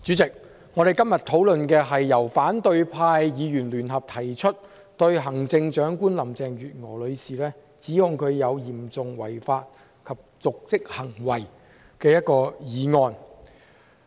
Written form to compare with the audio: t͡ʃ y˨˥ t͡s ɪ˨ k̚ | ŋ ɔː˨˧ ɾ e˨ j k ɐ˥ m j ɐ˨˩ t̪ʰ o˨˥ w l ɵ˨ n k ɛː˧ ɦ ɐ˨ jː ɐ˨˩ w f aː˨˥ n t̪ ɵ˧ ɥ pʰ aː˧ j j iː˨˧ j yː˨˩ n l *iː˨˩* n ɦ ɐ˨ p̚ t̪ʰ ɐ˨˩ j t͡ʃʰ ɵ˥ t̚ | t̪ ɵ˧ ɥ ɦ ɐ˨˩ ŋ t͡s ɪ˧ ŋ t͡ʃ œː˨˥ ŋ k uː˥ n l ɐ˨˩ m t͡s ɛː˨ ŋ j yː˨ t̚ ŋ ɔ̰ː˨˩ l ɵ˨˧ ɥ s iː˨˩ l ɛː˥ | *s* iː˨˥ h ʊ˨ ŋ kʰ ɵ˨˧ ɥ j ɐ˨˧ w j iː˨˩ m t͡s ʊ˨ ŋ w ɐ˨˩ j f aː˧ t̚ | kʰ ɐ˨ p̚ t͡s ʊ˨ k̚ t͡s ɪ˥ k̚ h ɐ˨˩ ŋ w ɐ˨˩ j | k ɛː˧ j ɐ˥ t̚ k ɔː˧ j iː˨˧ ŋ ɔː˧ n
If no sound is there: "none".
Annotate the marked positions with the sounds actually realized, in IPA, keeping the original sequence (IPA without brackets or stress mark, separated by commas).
yː˨˩, t͡s